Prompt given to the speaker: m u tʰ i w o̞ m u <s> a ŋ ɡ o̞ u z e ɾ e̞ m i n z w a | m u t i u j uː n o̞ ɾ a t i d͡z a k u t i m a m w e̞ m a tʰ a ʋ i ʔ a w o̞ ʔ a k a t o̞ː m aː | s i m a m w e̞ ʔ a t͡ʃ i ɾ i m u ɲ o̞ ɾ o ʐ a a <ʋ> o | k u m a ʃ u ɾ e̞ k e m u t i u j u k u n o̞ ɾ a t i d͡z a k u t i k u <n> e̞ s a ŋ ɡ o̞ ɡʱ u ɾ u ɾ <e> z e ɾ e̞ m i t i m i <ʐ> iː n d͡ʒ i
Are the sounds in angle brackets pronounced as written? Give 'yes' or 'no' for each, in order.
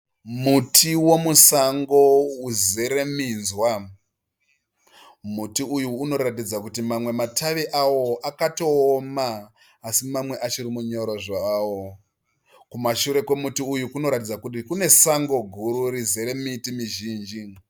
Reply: yes, no, yes, no, no

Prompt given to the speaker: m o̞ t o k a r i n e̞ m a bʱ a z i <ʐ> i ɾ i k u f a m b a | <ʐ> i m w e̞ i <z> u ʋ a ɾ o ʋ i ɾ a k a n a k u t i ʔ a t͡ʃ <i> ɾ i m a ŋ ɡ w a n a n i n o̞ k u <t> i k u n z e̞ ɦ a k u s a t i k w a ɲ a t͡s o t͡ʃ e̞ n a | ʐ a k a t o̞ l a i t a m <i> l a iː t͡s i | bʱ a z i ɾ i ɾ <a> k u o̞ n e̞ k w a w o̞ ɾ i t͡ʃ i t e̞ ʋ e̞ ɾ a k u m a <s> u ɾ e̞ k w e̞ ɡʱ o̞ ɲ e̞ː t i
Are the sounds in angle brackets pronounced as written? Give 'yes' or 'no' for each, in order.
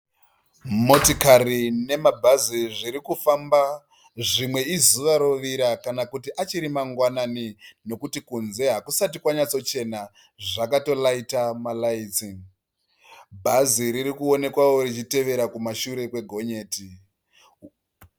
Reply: yes, yes, yes, yes, yes, no, no, no

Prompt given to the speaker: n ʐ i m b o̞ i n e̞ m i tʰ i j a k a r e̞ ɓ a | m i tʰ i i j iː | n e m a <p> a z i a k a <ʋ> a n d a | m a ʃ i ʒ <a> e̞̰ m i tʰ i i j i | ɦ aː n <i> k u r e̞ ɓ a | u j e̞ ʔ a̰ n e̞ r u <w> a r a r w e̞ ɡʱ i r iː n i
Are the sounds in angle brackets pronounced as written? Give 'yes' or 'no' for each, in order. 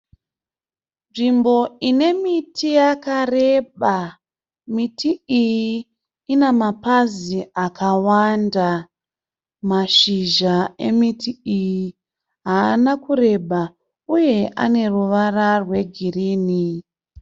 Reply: yes, no, yes, no, no

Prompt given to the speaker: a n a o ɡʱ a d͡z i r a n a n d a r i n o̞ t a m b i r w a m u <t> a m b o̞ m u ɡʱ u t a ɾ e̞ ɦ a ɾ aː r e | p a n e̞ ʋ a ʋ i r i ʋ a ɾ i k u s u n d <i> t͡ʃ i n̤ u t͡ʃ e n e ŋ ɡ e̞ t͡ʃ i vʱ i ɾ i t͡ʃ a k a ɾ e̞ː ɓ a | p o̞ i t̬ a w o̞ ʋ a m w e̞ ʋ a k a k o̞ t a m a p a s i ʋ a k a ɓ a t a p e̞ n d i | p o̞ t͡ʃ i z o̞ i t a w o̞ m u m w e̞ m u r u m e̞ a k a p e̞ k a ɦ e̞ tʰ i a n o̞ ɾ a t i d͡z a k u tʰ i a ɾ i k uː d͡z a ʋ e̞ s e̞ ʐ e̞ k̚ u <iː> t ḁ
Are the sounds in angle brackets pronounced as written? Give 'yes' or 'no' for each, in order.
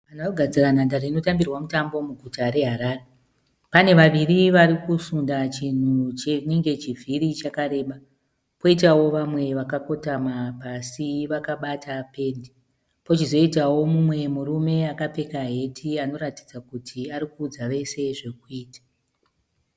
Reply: yes, no, yes

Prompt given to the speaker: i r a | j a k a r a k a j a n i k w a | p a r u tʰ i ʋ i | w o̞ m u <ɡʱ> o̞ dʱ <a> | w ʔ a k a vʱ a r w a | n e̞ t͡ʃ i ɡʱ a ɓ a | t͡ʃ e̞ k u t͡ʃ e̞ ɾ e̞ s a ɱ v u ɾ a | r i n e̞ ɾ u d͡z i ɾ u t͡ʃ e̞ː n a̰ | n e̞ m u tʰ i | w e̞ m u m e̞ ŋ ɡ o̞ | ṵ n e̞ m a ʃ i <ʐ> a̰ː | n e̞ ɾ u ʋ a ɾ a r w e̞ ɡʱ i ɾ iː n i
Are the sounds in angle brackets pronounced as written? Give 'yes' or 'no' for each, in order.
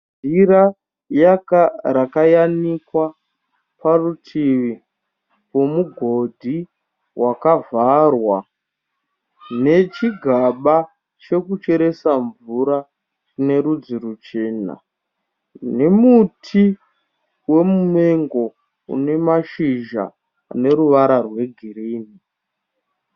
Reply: yes, no, no

